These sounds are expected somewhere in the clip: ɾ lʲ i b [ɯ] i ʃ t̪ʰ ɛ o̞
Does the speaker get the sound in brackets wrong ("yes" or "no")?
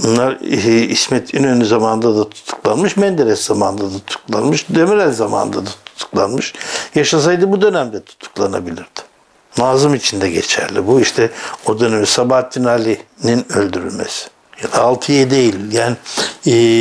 yes